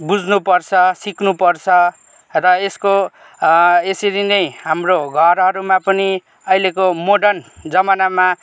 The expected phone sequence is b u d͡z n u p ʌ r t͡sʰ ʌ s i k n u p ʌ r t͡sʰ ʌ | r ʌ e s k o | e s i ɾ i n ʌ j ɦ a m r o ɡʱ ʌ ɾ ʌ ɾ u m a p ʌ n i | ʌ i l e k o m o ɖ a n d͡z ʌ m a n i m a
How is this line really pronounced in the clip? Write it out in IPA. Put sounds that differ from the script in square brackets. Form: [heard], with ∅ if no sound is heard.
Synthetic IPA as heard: b u d͡z n u p ʌ r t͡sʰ ʌ s i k n u p ʌ r t͡sʰ ʌ | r ʌ e s k o | e s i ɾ i n ʌ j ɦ a m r o ɡʱ ʌ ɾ ʌ ɾ u m a p ʌ n i | ʌ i l e k o m o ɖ [ʌ] n d͡z ʌ m a n [a] m a